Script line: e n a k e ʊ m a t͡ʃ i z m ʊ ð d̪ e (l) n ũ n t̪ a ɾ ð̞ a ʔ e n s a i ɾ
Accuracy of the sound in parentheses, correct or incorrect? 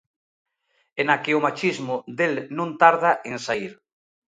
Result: correct